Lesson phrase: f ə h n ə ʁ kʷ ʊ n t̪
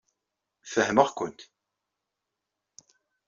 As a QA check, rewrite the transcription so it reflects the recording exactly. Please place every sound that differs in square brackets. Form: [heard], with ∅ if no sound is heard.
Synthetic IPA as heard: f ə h [m] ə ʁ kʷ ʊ n t̪